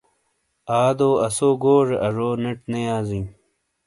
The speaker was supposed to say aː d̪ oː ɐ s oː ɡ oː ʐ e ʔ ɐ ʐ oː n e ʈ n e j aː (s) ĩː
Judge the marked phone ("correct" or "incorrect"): incorrect